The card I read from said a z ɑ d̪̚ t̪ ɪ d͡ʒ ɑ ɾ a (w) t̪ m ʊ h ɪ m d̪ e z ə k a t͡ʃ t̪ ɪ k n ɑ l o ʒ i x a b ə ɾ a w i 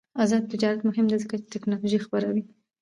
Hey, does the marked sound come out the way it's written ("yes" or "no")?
no